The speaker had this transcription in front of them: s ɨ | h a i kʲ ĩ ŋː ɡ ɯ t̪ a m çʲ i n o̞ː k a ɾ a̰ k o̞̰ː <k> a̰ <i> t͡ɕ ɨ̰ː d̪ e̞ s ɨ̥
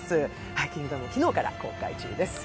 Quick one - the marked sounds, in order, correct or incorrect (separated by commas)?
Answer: correct, correct